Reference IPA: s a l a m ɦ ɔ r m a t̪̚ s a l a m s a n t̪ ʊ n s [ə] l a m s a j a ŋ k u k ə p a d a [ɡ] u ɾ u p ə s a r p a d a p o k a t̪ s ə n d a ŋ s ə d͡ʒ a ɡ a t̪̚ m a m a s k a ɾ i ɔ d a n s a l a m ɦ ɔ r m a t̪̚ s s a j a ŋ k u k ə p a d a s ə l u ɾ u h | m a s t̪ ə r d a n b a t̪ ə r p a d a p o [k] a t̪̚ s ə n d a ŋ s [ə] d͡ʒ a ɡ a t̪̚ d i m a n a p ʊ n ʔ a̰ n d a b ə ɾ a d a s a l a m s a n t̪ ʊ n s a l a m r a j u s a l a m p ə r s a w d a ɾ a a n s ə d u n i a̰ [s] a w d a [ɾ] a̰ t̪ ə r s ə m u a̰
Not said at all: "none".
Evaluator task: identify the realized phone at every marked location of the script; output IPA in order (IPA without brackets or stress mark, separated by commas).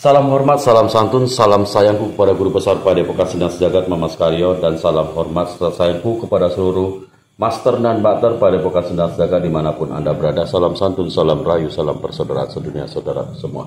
a, ɡ, k, ə, s, ɾ